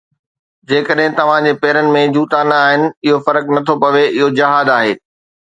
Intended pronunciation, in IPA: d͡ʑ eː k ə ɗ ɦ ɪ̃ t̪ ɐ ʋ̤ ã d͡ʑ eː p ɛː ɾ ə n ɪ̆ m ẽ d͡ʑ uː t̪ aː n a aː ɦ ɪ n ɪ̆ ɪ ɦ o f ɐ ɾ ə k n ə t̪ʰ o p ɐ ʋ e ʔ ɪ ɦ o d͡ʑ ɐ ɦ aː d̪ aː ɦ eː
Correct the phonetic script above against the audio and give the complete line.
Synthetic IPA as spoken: d͡ʑ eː k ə ɗ ɦ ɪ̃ t̪ ɐ ʋ̤ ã d͡ʑ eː p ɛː ɾ ə n ɪ̆ m ẽ d͡ʑ uː t̪ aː n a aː ɦ ɪ n ɪ̆ ɪ ɦ o f ɐ ɾ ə k n ɐ t̪ʰ o p ɐ ʋ e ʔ ɪ ɦ o d͡ʑ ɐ ɦ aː d̪ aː ɦ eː